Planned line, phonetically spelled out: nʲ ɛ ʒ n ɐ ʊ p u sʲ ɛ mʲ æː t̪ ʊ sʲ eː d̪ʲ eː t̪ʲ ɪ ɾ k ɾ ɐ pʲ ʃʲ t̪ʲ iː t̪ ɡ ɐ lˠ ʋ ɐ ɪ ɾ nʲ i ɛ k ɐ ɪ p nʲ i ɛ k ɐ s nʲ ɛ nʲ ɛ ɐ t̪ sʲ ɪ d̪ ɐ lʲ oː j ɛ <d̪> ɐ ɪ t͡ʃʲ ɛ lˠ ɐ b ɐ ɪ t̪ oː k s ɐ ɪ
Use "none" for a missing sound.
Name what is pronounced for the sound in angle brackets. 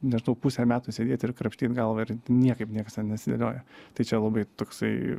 t̪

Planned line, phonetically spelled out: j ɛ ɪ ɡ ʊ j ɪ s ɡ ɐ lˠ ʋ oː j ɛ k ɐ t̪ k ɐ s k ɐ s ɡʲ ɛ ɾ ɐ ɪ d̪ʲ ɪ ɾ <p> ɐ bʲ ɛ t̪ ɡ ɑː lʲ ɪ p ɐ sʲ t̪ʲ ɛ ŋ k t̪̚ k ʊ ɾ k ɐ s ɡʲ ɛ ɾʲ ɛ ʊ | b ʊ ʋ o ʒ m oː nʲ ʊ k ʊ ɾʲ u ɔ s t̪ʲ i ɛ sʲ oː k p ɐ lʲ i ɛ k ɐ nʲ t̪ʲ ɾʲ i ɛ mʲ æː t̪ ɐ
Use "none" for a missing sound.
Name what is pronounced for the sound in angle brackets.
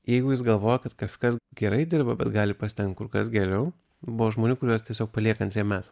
b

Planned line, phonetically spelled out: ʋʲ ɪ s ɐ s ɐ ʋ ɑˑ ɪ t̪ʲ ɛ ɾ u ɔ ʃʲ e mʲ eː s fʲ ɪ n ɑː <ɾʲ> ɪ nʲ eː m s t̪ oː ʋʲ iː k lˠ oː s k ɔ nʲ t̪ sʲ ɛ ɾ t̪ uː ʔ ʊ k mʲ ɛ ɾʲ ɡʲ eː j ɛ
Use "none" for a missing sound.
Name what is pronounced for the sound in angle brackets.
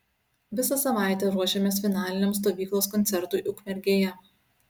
lʲ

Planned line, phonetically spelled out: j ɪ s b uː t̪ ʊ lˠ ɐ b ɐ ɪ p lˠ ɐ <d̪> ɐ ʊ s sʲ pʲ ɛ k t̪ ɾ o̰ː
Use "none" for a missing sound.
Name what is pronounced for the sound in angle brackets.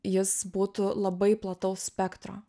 t̪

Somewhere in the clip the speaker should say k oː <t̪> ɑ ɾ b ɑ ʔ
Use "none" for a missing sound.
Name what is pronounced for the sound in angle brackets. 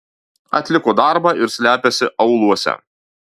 d̪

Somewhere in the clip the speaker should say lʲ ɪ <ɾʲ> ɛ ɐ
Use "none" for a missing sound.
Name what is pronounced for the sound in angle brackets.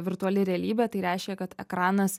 ɾʲ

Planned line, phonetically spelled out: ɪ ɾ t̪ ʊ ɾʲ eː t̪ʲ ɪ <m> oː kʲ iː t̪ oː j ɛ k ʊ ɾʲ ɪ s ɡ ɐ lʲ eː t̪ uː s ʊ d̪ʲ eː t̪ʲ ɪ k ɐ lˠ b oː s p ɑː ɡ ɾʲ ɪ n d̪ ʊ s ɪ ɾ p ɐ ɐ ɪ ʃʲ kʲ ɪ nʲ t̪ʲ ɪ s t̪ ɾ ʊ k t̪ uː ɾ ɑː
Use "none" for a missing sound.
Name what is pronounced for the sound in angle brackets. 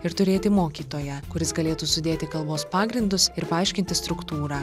m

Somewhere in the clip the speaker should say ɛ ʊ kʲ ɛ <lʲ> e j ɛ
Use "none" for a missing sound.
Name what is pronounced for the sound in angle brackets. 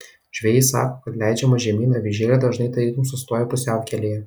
lʲ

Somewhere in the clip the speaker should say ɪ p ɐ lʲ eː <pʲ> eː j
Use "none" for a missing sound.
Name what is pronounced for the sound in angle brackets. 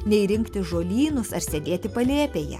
pʲ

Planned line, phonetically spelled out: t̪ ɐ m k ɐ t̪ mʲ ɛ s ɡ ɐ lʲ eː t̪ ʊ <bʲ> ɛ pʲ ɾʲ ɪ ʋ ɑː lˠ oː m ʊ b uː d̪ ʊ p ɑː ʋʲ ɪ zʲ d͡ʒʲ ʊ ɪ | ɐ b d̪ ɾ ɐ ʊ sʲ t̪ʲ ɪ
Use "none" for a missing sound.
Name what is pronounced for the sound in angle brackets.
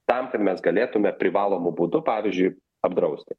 mʲ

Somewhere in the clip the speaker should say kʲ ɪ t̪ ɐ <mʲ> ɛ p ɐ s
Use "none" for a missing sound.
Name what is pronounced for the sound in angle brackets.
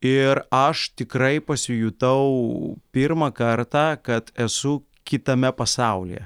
mʲ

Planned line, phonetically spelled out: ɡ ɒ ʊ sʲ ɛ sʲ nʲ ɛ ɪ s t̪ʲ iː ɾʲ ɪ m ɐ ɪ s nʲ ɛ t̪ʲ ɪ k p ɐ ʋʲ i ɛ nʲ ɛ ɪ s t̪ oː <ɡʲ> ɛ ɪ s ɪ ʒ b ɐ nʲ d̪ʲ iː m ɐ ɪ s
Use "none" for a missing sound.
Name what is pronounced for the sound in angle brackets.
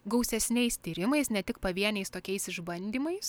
kʲ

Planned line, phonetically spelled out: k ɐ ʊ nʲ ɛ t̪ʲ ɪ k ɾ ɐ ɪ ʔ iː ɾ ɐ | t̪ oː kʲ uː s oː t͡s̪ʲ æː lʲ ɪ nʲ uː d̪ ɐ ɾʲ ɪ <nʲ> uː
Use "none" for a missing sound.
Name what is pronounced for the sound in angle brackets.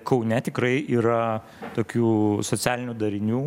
nʲ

